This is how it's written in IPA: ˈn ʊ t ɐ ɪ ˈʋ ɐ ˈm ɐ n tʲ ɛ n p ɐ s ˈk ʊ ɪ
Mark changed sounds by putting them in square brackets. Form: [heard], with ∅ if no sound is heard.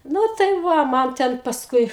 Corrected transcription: ˈn ʊ t ɐ ɪ ˈʋ ɐ ˈm ɐ n tʲ ɛ n p ɐ s ˈk ʊ ɪ

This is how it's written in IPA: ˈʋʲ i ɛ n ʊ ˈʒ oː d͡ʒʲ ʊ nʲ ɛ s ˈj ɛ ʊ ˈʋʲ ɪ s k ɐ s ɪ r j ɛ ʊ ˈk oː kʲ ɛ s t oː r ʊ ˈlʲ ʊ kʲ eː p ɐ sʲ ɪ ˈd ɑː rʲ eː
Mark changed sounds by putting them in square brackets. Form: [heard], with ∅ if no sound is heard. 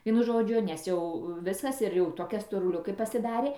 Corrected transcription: ˈʋʲ i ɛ n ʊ ˈʒ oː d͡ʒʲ ʊ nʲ ɛ s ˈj ɛ ʊ ˈʋʲ ɪ s k ɐ s ɪ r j ɛ ʊ [ˈt] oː kʲ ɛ s t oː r ʊ ˈlʲ ʊ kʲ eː p ɐ sʲ ɪ ˈd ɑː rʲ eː

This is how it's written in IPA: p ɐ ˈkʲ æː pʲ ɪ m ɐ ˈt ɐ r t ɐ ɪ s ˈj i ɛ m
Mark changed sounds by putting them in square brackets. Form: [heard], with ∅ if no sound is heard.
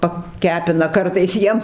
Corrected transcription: p ɐ ˈkʲ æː pʲ ɪ [n] ɐ [ˈk] ɐ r t ɐ ɪ s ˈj i ɛ m

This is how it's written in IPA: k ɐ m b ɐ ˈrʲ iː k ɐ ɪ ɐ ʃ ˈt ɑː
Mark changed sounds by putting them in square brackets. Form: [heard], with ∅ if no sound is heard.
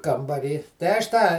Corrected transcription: k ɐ m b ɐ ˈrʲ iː [t] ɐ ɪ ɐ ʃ ˈt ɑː

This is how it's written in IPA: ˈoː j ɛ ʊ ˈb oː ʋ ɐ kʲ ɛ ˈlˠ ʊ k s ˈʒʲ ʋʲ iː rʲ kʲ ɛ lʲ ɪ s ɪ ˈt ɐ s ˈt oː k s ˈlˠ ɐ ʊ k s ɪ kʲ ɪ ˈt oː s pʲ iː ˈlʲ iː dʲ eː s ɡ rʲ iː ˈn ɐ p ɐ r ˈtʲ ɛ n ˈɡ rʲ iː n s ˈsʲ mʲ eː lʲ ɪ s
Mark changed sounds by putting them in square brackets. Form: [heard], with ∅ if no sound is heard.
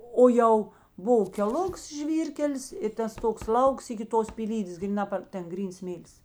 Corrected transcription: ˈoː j ɛ ʊ ˈb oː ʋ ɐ kʲ ɛ ˈlˠ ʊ k s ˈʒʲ ʋʲ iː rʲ kʲ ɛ lʲ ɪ s ɪ ˈt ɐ s ˈt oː k s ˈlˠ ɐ ʊ k s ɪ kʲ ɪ ˈt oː s pʲ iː ˈlʲ iː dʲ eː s ɡ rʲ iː ˈn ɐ p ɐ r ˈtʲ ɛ n ˈɡ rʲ iː n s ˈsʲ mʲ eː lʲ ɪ s

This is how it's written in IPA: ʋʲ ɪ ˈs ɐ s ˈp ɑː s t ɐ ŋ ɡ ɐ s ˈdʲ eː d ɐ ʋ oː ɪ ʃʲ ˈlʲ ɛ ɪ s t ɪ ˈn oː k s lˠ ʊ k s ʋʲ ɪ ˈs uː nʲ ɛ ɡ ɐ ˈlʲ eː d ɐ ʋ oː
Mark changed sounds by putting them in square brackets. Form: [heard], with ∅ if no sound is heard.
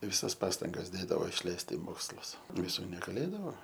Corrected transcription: ʋʲ ɪ ˈs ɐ s ˈp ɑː s t ɐ ŋ ɡ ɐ s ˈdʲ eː d ɐ ʋ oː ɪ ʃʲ ˈlʲ ɛ ɪ s t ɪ [ˈm] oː k s lˠ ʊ [∅] s ʋʲ ɪ ˈs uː nʲ ɛ ɡ ɐ ˈlʲ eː d ɐ ʋ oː

